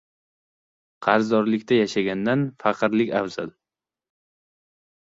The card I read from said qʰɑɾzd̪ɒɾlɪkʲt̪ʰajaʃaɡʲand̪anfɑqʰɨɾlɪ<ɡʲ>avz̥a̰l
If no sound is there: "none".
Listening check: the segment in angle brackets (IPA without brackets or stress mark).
kʲ